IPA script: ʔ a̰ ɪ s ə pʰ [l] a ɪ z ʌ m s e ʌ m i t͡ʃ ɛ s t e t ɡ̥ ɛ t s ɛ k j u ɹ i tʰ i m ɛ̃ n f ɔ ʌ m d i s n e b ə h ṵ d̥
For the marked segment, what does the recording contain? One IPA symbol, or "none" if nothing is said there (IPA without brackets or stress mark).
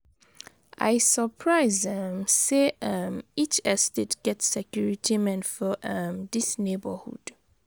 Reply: ɹ